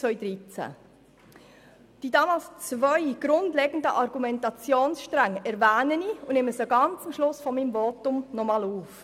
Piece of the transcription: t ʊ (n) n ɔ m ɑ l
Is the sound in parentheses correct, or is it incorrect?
incorrect